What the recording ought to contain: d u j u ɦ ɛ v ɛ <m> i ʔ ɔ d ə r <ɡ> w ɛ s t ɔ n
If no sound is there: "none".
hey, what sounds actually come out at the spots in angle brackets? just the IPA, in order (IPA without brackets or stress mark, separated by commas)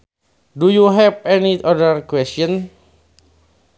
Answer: n, k